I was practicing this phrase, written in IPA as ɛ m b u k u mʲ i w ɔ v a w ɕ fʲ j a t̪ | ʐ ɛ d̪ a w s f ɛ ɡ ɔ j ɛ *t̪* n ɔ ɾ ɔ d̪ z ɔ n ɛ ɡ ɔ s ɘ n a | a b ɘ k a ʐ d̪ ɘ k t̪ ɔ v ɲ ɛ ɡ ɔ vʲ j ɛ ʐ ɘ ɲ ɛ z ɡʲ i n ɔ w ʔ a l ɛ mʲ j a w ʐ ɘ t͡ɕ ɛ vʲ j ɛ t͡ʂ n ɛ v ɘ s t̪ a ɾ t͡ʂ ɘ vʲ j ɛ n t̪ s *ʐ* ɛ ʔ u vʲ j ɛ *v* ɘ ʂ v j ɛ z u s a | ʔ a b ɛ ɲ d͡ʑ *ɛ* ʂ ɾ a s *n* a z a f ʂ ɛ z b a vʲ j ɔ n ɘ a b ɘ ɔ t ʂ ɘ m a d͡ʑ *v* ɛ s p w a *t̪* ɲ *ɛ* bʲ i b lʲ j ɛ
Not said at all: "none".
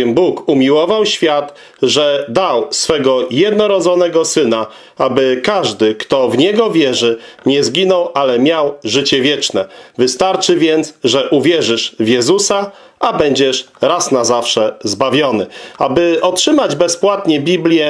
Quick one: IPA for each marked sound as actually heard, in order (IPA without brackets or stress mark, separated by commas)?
d̪, ʐ, ʐ, ɛ, n, b, t̪, ɛ